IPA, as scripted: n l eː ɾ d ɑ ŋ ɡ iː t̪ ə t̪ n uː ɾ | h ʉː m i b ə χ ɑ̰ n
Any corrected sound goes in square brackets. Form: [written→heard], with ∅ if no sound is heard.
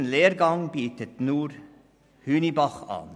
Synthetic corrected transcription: n l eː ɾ [d→ɡ] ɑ ŋ [ɡ→b] iː t̪ ə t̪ n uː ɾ | h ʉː [m→n] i b [ə→ɑ] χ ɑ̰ n